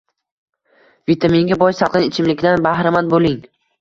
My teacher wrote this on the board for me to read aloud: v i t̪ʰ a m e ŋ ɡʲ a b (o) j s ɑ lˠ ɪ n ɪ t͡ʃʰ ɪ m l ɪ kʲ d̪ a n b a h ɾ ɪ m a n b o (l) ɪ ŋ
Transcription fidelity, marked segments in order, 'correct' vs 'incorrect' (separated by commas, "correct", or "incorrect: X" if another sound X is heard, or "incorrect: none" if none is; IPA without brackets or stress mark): incorrect: ɒ, correct